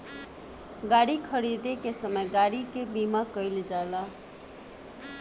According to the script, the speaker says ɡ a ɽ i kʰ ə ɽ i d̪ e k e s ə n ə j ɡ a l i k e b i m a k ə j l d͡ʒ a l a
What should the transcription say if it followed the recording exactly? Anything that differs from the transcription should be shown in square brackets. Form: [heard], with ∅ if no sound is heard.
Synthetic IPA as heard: ɡ a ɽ i kʰ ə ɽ i d̪ e k e s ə [m] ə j ɡ a [ɽ] i k e b i m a k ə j l d͡ʒ a l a